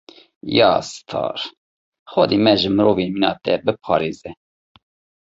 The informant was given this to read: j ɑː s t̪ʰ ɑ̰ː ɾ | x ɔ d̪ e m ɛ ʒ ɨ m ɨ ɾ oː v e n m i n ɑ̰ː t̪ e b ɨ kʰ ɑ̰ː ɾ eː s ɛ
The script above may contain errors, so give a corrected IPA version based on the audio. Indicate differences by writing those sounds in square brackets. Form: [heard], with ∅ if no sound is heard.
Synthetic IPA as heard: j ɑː s t̪ʰ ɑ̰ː ɾ | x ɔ d̪ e m ɛ ʒ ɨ m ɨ ɾ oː v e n m i n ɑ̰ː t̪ [ɛ] b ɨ [pʰ] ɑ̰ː ɾ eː [z] ɛ